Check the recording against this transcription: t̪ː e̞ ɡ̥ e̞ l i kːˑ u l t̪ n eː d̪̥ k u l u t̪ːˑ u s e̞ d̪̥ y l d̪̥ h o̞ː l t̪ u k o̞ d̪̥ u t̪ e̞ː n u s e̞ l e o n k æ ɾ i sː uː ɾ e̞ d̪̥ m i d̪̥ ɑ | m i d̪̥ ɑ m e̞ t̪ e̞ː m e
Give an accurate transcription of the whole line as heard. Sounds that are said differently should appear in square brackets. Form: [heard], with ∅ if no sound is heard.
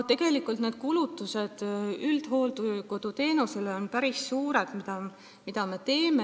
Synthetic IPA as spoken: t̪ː e̞ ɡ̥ e̞ l i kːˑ u l t̪ n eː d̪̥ k u l u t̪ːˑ u s e̞ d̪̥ y l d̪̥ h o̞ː l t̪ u k o̞ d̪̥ u t̪ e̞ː n u s e̞ l e o n [p] æ ɾ i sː uː ɾ e̞ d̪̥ m i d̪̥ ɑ | m i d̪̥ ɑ m e̞ t̪ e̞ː m e